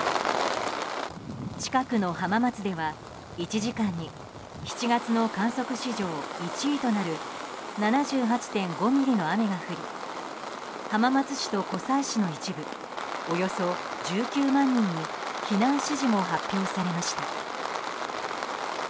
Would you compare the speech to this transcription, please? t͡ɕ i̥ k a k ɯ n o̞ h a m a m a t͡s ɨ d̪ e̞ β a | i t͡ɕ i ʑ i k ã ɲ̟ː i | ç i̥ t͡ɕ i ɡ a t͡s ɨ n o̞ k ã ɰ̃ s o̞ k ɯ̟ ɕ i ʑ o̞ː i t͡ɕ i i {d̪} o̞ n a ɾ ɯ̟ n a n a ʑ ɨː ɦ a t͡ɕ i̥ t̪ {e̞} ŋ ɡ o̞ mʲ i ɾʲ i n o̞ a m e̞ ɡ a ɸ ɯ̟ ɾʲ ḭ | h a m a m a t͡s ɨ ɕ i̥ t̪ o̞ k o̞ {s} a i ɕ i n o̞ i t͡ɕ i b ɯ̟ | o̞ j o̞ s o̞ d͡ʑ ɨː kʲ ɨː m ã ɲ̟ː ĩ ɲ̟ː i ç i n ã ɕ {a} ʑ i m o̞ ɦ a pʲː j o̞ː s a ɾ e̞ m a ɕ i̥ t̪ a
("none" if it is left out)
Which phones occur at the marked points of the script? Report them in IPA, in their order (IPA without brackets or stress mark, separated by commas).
t̪, ẽ̞, s, i